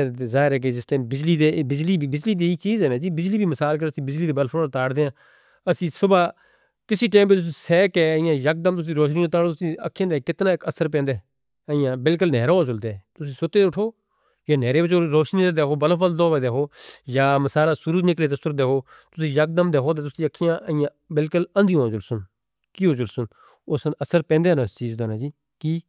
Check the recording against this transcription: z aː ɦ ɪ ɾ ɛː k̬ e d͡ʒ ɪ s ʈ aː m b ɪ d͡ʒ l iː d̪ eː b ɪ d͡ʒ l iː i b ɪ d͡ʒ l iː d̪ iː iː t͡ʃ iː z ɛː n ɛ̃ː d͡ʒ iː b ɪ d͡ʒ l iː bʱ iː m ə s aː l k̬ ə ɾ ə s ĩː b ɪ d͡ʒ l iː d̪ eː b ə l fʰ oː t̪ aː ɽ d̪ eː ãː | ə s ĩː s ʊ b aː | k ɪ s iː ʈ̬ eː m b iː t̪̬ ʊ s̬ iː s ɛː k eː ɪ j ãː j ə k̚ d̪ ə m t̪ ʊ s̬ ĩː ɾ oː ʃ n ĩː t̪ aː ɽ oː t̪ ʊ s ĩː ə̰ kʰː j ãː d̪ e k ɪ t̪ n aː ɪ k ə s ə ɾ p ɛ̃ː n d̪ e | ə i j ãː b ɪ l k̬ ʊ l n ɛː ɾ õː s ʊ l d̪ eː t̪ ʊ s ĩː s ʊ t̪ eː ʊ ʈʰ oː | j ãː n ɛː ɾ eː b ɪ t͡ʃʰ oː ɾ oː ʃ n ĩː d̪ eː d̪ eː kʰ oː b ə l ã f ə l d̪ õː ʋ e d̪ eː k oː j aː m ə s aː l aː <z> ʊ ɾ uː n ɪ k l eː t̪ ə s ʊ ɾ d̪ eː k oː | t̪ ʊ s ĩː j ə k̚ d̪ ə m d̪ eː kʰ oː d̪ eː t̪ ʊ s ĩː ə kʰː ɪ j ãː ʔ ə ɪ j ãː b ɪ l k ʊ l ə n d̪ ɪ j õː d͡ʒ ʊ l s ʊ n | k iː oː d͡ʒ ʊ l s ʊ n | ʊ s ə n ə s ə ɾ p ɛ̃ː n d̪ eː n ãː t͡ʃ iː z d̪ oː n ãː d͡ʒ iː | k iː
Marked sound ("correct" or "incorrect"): incorrect